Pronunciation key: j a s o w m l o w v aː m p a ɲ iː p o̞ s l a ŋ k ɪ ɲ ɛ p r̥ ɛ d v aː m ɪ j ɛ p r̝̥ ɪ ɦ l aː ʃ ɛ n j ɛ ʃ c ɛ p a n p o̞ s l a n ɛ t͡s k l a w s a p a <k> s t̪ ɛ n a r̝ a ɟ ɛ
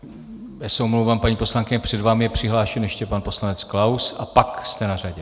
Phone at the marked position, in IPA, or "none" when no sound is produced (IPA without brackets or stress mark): k